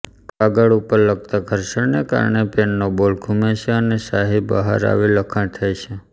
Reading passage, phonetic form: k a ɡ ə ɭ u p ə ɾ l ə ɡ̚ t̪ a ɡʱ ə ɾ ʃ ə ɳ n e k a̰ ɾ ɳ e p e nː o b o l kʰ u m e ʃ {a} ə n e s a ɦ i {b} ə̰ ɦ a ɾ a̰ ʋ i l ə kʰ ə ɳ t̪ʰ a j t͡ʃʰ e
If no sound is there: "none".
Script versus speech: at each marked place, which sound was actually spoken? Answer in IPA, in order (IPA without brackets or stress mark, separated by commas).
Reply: e, b